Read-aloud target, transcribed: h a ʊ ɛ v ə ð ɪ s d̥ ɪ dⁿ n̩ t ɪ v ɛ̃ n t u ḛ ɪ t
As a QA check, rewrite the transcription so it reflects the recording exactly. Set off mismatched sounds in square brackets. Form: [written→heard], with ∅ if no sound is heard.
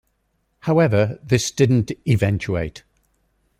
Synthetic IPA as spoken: h a ʊ ɛ v ə ð ɪ s d̥ ɪ dⁿ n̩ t ɪ v ɛ̃ n [t→t͡ʃ] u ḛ ɪ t